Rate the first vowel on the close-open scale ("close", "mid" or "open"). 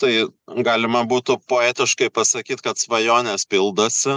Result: open